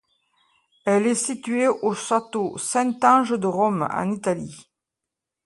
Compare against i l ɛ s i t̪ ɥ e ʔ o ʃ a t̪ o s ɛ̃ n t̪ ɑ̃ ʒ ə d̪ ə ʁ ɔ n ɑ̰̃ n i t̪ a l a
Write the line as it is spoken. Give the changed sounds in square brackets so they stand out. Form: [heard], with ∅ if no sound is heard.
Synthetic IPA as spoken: [ɛ] l ɛ s i t̪ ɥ e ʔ o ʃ a t̪ o s ɛ̃ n t̪ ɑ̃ ʒ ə d̪ ə ʁ ɔ [m] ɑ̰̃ n i t̪ a l [i]